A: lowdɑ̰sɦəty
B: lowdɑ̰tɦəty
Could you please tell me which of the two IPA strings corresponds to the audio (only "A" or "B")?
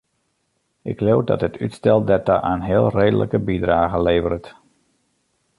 B